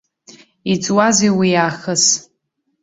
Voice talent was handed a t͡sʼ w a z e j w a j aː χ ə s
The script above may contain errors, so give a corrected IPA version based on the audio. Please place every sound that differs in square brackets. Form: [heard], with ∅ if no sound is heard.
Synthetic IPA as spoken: [i] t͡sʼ w a z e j w [i] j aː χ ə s